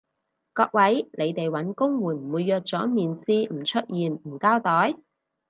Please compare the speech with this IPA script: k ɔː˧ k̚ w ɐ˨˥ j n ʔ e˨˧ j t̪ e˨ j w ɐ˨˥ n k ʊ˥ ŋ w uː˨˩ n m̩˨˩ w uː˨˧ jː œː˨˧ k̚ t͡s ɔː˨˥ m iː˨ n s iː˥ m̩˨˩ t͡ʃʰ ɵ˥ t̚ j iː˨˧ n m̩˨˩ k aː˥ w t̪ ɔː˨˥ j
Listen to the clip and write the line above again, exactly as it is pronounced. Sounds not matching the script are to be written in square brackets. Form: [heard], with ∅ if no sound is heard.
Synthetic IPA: k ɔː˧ k̚ w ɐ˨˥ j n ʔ e˨˧ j t̪ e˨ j w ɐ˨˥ n k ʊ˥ ŋ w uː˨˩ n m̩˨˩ w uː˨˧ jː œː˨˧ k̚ t͡s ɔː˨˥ m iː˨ n s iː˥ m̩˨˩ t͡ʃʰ ɵ˥ t̚ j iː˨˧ n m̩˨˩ k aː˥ w t̪ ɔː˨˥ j